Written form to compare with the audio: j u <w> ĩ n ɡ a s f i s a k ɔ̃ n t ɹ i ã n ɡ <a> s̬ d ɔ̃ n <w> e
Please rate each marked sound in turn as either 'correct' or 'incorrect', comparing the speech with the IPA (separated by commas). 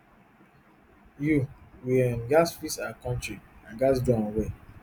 correct, correct, correct